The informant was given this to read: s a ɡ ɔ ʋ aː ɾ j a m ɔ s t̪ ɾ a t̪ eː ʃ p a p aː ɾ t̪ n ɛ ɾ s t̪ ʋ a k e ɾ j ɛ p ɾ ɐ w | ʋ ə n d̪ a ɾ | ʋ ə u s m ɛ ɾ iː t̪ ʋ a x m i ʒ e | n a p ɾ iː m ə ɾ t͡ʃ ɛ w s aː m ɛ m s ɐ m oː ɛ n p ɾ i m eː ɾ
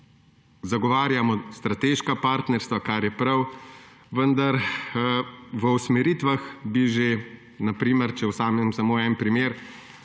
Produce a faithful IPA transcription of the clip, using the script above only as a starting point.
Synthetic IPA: z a ɡ ɔ ʋ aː ɾ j a m ɔ s t̪ ɾ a t̪ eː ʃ k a p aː ɾ t̪ n ɛ ɾ s t̪ ʋ a k a ɾ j ɛ p ɾ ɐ w | ʋ ə n d̪ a ɾ | ʋ ə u s m ɛ ɾ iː t̪ ʋ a x b i ʒ e | n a p ɾ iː m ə ɾ t͡ʃ ɛ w s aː m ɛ m s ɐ m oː ɛ n p ɾ i m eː ɾ